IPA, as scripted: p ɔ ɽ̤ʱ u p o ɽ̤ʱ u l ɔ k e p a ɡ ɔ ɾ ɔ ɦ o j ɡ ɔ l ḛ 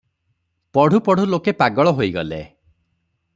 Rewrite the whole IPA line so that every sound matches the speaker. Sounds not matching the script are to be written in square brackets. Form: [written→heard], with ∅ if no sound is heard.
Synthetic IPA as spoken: p ɔ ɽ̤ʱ u p [o→ɔ] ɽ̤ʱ u l [ɔ→o] k e p a ɡ ɔ [ɾ→ɭ] ɔ ɦ o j ɡ ɔ l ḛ